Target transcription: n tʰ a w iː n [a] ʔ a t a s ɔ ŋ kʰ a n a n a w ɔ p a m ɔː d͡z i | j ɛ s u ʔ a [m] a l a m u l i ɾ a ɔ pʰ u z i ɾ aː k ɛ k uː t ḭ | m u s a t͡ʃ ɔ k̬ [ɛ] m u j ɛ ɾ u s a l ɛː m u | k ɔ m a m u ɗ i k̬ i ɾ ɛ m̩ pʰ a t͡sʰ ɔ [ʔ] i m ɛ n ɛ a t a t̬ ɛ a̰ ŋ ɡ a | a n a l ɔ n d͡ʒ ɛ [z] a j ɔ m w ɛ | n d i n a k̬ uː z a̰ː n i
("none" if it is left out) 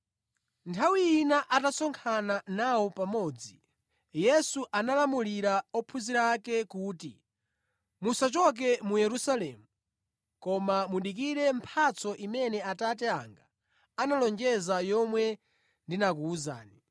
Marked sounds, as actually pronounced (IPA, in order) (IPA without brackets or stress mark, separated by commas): a, n, ɛ, ʔ, z